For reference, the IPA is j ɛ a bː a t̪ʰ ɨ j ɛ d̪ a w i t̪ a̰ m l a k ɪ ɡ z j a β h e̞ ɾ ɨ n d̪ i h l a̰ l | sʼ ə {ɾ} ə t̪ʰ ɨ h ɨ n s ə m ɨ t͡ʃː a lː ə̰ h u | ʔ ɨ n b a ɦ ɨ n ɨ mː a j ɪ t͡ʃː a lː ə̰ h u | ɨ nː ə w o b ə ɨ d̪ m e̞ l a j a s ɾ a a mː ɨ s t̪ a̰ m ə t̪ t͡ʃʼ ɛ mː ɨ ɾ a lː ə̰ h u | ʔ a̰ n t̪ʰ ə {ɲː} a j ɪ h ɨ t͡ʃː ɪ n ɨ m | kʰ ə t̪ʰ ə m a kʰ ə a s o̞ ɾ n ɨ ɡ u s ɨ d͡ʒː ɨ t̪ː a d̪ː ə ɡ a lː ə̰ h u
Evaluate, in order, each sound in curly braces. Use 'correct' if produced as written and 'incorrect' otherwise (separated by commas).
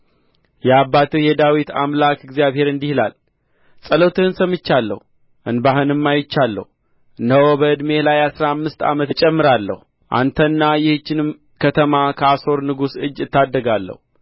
incorrect, incorrect